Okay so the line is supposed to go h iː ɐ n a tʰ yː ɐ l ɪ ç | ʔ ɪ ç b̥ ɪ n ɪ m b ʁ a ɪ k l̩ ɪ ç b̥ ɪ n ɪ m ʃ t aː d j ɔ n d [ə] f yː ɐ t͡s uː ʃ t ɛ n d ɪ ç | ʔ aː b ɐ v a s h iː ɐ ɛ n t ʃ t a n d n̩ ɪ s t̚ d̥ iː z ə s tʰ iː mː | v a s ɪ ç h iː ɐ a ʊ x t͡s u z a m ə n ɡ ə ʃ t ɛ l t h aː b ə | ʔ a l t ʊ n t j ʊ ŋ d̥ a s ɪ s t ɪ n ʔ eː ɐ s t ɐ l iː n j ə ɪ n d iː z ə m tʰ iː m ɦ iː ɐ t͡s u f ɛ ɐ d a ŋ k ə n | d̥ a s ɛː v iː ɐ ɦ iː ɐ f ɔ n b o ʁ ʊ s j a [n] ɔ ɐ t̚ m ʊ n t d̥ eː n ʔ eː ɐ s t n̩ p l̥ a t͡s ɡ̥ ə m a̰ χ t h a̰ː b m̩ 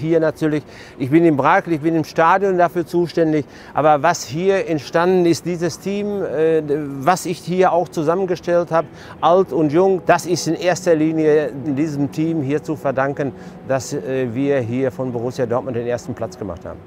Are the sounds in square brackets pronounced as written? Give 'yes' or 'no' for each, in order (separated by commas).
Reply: no, no